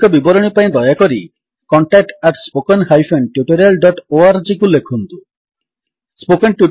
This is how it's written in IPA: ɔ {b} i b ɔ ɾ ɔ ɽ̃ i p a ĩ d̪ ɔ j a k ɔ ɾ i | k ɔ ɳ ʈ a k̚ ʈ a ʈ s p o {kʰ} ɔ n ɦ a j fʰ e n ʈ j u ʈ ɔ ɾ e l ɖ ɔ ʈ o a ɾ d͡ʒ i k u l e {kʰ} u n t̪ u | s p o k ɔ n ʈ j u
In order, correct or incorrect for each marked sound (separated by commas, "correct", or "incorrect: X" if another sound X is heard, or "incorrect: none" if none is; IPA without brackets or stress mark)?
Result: correct, incorrect: k, correct